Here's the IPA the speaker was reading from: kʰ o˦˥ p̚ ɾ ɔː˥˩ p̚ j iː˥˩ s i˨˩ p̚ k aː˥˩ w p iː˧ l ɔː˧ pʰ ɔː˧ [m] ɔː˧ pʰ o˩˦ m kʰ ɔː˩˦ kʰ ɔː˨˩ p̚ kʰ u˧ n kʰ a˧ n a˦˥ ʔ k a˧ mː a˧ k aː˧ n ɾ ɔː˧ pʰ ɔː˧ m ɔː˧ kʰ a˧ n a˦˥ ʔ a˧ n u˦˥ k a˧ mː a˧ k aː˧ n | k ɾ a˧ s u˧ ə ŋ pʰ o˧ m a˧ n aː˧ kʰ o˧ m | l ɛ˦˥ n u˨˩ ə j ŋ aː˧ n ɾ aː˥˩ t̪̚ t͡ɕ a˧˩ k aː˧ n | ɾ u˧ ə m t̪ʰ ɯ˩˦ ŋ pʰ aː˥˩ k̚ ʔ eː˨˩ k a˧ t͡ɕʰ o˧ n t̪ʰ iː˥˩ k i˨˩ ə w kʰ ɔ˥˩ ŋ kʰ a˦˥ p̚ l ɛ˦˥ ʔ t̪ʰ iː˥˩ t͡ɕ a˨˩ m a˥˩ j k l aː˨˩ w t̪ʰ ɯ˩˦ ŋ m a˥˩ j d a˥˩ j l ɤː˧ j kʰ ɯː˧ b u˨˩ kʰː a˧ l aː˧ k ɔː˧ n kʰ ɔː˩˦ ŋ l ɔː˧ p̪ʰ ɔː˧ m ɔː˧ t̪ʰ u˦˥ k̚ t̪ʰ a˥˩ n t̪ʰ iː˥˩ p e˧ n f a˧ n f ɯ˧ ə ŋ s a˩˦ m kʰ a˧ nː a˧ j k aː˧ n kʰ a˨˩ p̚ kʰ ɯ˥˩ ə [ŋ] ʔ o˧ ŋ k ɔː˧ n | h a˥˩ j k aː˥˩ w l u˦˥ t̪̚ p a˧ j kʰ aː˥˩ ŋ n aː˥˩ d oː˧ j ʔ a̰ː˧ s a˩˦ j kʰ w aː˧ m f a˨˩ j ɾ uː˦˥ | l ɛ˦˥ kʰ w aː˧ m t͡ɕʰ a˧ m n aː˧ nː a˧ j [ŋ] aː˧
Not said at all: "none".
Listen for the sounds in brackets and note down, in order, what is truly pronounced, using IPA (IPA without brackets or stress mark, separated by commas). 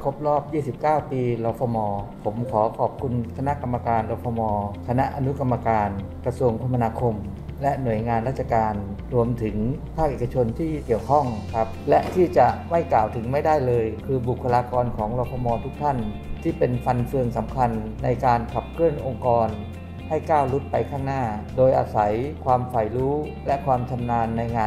m, n, ŋ